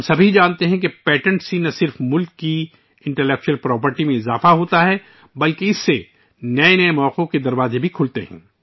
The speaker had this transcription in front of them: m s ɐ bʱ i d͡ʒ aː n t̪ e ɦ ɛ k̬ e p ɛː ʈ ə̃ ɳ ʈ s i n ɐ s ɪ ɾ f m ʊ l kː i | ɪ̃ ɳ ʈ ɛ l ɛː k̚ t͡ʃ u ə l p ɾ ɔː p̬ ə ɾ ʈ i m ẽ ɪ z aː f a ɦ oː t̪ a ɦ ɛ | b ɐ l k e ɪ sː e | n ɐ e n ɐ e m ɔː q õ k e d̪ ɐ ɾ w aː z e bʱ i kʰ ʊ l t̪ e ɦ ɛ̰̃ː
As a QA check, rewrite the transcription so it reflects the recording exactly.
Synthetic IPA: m s ɐ bʱ i d͡ʒ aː n t̪ e ɦ ɛ̃ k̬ e p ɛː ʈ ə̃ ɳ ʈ s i n ɐ s ɪ ɾ f m ʊ l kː i | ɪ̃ ɳ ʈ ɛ l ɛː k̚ t͡ʃ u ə l p ɾ ɔː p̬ ə ɾ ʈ i m ẽ ɪ z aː f a ɦ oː t̪ a ɦ ɛ | b ɐ l k e ɪ sː e | n ɐ e n ɐ e m ɔː q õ k e d̪ ɐ ɾ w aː z e bʱ i kʰ ʊ l t̪ e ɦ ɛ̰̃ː